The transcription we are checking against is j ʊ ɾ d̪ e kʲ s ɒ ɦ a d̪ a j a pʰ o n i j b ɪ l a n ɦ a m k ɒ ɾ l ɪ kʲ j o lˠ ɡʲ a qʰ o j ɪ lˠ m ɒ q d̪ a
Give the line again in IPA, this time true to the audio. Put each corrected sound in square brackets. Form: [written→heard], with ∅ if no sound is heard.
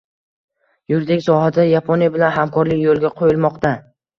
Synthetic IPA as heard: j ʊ ɾ d̪ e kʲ s ɒ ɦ a d̪ a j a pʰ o n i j b ɪ l a n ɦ a m k ɒ ɾ l ɪ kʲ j o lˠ ɡʲ a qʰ o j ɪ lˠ m ɒ q [d̪→t̪] a